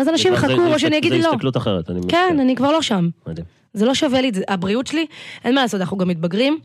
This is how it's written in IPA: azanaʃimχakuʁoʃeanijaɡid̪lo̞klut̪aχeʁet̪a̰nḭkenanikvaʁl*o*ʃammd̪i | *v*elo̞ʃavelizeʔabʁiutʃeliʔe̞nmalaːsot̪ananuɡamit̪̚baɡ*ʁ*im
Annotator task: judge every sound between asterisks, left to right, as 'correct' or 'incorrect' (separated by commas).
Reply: correct, incorrect, correct